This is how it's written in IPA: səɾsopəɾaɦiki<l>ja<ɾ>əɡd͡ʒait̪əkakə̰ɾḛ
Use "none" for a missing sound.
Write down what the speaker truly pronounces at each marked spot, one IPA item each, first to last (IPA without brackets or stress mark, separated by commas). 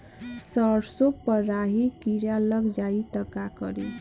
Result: ɾ, l